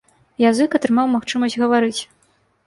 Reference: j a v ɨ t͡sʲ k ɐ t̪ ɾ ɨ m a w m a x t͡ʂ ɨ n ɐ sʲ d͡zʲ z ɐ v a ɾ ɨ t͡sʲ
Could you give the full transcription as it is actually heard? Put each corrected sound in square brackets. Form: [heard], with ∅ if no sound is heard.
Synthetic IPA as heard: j a [z] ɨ [∅] k ɐ t̪ ɾ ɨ m a w m a x t͡ʂ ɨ [m] ɐ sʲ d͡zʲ [ɣ] ɐ v a ɾ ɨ t͡sʲ

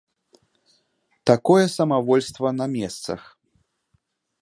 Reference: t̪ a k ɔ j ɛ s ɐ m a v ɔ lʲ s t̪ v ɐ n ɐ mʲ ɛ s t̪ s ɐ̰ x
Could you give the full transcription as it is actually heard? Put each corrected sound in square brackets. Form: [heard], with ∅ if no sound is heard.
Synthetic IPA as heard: t̪ a k ɔ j ɛ s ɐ m a v ɔ lʲ s t̪ v ɐ n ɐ mʲ ɛ s t̪ s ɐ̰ x

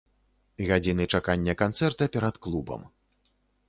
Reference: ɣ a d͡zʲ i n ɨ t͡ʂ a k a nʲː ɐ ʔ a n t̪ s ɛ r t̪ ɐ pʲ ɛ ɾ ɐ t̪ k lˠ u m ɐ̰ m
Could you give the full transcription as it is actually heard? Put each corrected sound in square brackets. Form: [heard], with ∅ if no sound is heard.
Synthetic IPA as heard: ɣ a d͡zʲ i n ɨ t͡ʂ a k a nʲː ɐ [k] a n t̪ s ɛ r t̪ ɐ pʲ ɛ ɾ ɐ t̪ k lˠ u [b] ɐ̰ m

